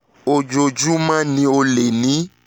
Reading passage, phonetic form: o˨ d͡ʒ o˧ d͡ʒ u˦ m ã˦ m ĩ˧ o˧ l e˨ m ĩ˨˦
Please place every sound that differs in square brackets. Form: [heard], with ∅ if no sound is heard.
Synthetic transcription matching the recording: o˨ d͡ʒ o˧ d͡ʒ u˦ m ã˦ [n] ĩ˧ o˧ l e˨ [n] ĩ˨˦